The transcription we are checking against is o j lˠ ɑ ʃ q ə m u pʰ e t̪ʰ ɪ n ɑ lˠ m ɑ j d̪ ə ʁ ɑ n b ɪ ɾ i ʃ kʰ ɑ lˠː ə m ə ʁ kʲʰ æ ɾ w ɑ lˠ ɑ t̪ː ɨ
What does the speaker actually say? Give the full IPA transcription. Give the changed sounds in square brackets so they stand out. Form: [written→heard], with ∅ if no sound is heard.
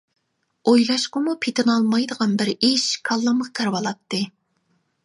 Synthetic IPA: o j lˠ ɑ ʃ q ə m u pʰ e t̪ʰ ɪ n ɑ lˠ m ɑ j d̪ ə ʁ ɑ n b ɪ ɾ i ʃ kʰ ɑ lˠː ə m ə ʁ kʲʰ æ ɾ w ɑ lˠ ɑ t̪ː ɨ